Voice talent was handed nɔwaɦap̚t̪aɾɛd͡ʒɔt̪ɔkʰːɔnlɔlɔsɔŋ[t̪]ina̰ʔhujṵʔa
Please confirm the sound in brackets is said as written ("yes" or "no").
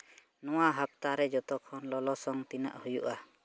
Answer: yes